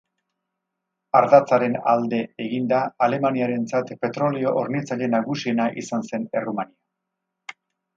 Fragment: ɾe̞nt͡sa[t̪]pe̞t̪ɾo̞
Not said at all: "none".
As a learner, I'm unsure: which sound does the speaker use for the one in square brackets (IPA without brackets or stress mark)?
t̪